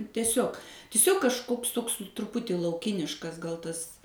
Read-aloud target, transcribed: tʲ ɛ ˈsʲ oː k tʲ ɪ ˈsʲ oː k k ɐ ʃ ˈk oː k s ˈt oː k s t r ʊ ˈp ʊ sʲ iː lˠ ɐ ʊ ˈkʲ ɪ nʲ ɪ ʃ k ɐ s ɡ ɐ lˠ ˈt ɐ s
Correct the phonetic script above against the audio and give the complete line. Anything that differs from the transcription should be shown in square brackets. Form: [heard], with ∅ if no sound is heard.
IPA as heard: tʲ ɛ ˈsʲ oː k tʲ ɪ ˈsʲ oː k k ɐ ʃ ˈk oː k s ˈt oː k s t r ʊ ˈp ʊ [tʲ] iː lˠ ɐ ʊ ˈkʲ ɪ nʲ ɪ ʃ k ɐ s ɡ ɐ lˠ ˈt ɐ s

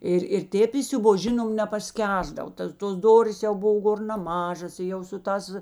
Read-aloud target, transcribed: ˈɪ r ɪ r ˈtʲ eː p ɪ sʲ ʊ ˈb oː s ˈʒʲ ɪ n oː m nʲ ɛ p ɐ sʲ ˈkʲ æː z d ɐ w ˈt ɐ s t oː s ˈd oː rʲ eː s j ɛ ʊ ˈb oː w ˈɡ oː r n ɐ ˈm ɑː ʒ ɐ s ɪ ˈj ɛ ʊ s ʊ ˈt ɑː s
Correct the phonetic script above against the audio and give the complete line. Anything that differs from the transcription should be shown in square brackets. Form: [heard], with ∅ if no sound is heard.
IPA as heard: ˈɪ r ɪ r ˈtʲ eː p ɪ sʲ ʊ ˈb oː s ˈʒʲ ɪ n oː m nʲ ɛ p ɐ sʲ ˈkʲ æː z d ɐ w ˈt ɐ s t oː s ˈd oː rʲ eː s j ɛ ʊ ˈb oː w ˈɡ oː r n ɐ ˈm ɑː ʒ ɐ s ɪ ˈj ɛ ʊ s ʊ ˈt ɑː s

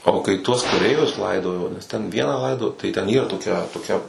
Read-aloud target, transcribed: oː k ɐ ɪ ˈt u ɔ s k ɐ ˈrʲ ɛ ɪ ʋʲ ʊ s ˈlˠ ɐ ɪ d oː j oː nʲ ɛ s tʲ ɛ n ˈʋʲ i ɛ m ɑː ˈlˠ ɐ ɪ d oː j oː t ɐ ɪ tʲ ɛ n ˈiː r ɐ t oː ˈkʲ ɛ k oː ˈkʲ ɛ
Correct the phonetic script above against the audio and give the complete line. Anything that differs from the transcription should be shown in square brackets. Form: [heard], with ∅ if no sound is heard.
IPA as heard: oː k ɐ ɪ ˈt u ɔ s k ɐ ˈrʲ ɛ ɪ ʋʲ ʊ s ˈlˠ ɐ ɪ d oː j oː nʲ ɛ s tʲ ɛ n ˈʋʲ i ɛ [n] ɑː ˈlˠ ɐ ɪ d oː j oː t ɐ ɪ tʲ ɛ n ˈiː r ɐ t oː ˈkʲ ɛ [t] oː ˈkʲ ɛ

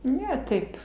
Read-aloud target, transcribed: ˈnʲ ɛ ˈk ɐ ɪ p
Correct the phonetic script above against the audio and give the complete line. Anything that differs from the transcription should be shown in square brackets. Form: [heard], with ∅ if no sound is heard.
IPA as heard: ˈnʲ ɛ [ˈt] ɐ ɪ p

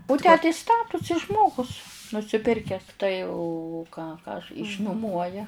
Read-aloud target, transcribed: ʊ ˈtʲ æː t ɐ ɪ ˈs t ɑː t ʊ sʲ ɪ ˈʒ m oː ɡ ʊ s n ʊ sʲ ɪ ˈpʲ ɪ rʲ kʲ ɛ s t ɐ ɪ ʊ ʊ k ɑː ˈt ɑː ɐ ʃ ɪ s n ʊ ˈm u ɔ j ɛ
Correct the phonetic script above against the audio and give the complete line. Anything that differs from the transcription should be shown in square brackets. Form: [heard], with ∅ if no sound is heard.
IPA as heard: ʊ ˈtʲ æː t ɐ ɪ ˈs t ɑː t ʊ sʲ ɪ ˈʒ m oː ɡ ʊ s n ʊ sʲ ɪ ˈpʲ ɪ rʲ kʲ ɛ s t ɐ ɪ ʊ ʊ k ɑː [ˈk] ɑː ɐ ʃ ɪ [ʃ] n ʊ ˈm u ɔ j ɛ

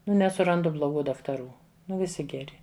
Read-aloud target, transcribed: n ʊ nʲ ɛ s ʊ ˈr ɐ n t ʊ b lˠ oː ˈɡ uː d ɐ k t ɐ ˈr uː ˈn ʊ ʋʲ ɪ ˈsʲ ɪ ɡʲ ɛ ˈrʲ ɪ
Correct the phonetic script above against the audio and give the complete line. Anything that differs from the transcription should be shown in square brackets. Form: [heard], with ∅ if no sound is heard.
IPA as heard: n ʊ nʲ ɛ s ʊ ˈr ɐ n [d] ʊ b lˠ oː ˈɡ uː d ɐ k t ɐ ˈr uː ˈn ʊ ʋʲ ɪ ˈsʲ ɪ ɡʲ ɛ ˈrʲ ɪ

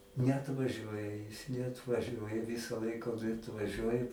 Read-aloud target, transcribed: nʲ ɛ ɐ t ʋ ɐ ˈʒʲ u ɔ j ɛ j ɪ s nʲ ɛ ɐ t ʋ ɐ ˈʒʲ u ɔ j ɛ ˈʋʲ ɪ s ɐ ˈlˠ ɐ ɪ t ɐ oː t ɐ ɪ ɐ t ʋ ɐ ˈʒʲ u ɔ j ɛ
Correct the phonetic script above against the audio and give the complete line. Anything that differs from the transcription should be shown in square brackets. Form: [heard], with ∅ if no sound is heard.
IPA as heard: nʲ ɛ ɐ t ʋ ɐ ˈʒʲ u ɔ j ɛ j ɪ s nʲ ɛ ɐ t ʋ ɐ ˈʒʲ u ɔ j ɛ ˈʋʲ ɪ s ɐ ˈlˠ ɐ ɪ [k] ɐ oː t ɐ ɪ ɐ t ʋ ɐ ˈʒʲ u ɔ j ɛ

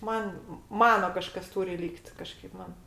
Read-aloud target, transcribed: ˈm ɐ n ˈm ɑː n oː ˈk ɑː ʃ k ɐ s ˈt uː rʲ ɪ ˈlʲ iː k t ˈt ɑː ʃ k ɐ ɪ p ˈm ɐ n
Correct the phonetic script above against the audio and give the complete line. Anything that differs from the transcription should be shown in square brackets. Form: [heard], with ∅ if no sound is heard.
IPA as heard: ˈm ɐ n ˈm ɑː n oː ˈk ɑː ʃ k ɐ s ˈt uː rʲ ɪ ˈlʲ iː k t [ˈk] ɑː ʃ k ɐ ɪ p ˈm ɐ n

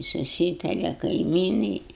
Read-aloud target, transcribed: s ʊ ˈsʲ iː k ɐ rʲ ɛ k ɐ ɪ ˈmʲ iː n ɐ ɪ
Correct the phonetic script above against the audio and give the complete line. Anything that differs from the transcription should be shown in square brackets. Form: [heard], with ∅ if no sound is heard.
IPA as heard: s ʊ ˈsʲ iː [t] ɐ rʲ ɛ k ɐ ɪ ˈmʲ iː n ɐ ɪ

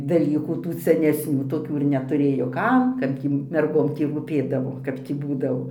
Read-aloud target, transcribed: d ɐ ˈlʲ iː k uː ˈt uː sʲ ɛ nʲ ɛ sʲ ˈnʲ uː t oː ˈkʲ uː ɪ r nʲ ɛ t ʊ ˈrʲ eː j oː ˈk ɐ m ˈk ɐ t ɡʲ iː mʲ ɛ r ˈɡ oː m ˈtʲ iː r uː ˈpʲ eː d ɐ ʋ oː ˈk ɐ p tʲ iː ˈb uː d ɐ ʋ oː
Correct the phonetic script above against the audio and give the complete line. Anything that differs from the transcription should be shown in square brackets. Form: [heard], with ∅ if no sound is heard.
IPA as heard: d ɐ ˈlʲ iː k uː ˈt uː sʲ ɛ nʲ ɛ sʲ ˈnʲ uː t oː ˈkʲ uː ɪ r nʲ ɛ t ʊ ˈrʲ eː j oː ˈk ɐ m ˈk ɐ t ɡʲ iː mʲ ɛ r ˈɡ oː m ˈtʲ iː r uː ˈpʲ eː d ɐ ʋ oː ˈk ɐ p tʲ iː ˈb uː d ɐ ʋ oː

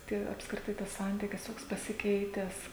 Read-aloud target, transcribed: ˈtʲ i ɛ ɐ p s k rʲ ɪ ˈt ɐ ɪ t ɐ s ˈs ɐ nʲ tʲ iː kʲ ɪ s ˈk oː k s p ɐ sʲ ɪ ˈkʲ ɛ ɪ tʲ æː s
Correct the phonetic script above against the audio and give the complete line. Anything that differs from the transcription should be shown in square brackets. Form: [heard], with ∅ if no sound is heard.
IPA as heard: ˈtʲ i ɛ ɐ p s k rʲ ɪ ˈt ɐ ɪ t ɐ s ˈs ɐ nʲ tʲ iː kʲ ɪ s [ˈt] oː k s p ɐ sʲ ɪ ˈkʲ ɛ ɪ tʲ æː s

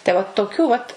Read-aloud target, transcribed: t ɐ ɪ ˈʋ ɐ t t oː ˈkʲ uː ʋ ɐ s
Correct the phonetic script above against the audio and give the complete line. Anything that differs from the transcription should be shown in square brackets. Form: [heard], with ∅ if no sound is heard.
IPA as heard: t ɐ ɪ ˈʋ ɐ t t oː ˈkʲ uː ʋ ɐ [t]

